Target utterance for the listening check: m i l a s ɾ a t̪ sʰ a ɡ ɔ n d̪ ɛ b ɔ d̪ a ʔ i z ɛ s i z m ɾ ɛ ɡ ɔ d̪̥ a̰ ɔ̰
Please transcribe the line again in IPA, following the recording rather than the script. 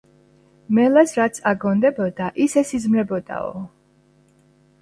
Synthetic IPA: m ɛ l a s ɾ a t̪ sʰ a ɡ ɔ n d̪ ɛ b ɔ d̪ a ʔ i s ɛ s i z m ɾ ɛ b ɔ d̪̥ a̰ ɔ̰